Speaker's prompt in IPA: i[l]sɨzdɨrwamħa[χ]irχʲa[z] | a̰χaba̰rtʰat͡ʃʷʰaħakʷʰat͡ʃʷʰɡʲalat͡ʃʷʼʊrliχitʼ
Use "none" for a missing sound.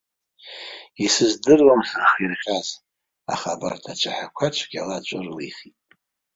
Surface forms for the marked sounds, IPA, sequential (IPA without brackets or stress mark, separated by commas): none, χ, z